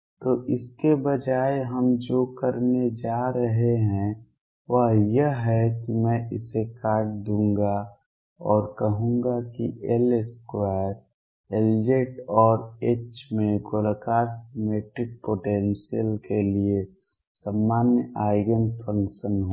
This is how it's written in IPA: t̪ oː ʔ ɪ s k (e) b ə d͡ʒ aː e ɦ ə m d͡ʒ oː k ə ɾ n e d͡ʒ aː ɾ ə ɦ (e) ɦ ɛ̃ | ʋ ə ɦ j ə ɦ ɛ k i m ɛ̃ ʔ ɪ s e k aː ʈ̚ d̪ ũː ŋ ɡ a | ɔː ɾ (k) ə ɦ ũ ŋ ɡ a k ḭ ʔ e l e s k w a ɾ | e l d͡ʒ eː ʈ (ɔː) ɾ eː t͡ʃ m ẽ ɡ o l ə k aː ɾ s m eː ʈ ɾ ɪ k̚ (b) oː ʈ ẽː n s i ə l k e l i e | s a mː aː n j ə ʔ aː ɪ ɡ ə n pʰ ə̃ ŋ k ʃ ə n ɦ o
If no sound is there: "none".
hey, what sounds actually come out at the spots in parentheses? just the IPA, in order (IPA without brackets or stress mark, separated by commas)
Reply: e, e, k, ɔː, p